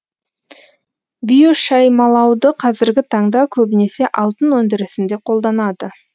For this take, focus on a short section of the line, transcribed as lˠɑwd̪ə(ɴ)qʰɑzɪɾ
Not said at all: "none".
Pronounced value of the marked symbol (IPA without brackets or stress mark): none